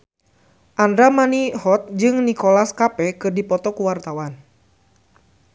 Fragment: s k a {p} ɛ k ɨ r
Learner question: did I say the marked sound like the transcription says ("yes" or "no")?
yes